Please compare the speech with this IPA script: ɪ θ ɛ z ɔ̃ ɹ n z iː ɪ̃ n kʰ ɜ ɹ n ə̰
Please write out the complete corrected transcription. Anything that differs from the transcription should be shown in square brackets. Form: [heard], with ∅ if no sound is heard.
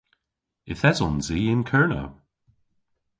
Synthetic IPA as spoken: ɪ θ ɛ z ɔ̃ [∅] n z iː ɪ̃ n kʰ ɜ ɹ n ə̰